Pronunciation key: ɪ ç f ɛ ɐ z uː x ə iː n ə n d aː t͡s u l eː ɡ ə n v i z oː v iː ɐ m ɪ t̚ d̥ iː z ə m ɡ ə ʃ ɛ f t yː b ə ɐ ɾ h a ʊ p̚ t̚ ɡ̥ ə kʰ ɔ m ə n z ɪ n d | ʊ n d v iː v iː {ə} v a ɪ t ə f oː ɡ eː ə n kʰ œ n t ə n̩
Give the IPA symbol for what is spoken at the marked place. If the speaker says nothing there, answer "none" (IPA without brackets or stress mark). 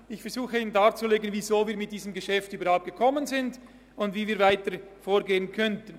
ɐ